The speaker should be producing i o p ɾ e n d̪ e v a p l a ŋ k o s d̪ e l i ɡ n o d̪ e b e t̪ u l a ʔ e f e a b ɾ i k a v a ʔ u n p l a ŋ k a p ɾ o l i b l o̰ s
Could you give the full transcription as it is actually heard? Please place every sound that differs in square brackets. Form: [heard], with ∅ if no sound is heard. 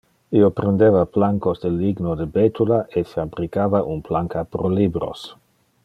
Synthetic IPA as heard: i o p ɾ e n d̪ e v a p l a ŋ k o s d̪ e l i ɡ n o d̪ e b e t̪ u l a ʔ e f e a b ɾ i k a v a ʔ u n p l a ŋ k a p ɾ o l i b [ɾ] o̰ s